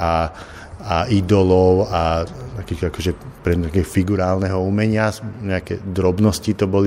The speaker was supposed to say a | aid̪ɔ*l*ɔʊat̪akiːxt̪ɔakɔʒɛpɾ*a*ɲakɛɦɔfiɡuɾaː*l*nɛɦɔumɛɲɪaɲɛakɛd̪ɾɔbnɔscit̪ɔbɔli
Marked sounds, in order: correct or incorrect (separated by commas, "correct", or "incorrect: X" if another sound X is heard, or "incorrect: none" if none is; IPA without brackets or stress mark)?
correct, incorrect: ɛ, correct